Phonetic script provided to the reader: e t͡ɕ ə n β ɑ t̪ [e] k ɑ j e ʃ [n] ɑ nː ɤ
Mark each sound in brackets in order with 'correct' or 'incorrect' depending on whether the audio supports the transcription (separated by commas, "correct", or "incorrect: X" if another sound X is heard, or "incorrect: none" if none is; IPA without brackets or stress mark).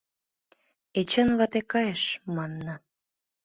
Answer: correct, incorrect: m